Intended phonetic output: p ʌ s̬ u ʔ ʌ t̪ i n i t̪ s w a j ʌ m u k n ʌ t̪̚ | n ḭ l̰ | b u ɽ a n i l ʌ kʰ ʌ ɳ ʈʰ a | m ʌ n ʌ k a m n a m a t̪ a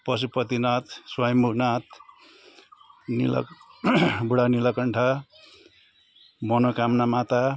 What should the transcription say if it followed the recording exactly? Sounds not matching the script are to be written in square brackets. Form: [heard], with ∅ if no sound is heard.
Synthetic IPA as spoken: p ʌ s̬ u [p] ʌ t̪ i n [a] t̪ s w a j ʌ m u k n [a] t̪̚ | n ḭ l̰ | b u ɽ a n i l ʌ [k] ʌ ɳ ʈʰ a | m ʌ n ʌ k a m n a m a t̪ a